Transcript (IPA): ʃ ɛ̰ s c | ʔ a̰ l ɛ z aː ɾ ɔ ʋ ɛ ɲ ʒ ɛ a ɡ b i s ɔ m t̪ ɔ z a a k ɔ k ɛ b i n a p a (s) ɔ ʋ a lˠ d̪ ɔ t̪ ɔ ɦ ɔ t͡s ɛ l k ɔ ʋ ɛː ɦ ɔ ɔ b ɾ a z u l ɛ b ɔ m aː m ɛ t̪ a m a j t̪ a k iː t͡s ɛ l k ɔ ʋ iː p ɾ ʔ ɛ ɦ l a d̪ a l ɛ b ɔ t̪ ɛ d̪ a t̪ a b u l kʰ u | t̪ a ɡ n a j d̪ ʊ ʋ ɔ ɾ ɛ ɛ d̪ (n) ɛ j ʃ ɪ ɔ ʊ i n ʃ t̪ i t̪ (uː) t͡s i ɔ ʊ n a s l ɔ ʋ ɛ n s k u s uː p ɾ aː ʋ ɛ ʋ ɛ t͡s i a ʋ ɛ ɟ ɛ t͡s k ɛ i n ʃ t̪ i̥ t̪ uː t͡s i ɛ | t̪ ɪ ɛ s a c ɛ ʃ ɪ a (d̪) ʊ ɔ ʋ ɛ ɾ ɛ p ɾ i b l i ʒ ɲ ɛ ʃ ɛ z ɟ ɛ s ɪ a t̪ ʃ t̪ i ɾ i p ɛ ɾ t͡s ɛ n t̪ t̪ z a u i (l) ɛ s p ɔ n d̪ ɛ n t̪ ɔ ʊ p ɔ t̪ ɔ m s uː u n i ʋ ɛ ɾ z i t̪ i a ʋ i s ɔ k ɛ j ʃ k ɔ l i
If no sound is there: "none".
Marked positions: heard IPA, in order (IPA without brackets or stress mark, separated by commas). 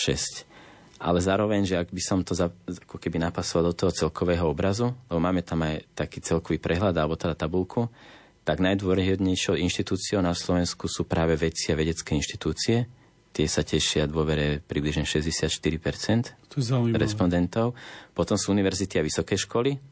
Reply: s, ɲ, uː, d̪, ɾ